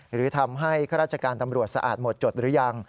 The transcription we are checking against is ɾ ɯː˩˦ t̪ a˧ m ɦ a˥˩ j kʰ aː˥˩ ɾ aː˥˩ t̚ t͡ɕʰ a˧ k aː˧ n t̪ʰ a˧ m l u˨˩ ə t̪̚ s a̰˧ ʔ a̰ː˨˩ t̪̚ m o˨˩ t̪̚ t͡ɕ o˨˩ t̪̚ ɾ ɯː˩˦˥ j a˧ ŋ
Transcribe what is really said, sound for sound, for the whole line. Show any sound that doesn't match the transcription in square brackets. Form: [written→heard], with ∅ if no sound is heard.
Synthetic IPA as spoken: ɾ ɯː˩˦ [t̪→t̪ʰ] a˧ m ɦ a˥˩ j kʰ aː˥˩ ɾ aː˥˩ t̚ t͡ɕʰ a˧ k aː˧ n [t̪ʰ→t̪] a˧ m [l→ɾ] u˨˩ ə t̪̚ s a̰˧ ʔ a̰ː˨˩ t̪̚ m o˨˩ t̪̚ t͡ɕ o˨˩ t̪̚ ɾ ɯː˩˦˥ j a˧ ŋ